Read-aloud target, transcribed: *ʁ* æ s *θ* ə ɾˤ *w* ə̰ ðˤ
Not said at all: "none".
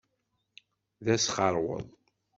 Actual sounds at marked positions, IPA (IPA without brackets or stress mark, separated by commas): ð, χ, w